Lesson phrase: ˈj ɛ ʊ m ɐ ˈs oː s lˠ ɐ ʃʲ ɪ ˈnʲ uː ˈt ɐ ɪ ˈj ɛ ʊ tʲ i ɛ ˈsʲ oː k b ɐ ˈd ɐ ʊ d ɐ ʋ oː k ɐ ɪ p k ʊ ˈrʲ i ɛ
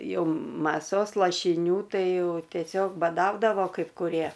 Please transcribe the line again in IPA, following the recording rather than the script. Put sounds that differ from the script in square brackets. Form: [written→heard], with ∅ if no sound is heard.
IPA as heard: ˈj ɛ ʊ m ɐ ˈs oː s lˠ ɐ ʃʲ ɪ ˈnʲ uː ˈt ɐ ɪ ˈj ɛ ʊ tʲ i ɛ ˈsʲ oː k b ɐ ˈd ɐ ʊ d ɐ ʋ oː k ɐ ɪ p k ʊ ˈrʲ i ɛ